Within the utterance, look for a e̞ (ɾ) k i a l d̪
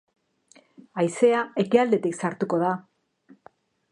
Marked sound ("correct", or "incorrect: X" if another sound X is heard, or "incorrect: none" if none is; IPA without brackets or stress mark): incorrect: none